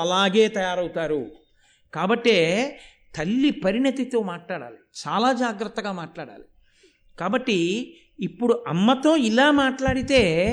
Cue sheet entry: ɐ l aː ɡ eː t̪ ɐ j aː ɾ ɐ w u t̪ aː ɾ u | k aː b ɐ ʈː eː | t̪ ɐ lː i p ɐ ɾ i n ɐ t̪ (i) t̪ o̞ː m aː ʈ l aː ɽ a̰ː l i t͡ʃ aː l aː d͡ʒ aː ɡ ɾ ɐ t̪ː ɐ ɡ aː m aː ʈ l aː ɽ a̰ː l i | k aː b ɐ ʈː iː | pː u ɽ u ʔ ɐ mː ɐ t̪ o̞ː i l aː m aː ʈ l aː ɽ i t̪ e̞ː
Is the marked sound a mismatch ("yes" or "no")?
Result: no